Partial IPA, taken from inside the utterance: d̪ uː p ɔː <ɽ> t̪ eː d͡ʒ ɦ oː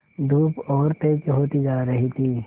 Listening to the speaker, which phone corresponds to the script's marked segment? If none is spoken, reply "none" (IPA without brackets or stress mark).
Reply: ɾ